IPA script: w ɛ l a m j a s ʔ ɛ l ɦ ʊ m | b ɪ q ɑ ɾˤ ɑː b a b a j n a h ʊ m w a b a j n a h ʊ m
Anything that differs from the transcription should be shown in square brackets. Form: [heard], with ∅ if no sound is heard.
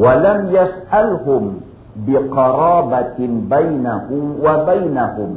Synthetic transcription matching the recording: w [a] l a m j a s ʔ [a] l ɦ ʊ m | b ɪ q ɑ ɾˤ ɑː b a b a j n a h ʊ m w a b a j n a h ʊ m